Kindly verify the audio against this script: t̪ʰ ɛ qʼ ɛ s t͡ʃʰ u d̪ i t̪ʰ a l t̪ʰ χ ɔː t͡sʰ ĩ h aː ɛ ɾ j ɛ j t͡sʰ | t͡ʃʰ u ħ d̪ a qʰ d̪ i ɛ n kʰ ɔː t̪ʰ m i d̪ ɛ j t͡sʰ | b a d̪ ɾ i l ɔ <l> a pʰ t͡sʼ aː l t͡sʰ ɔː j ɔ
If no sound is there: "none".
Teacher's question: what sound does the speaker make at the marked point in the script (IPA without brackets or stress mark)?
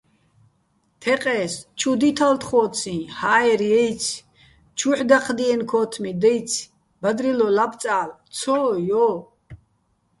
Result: l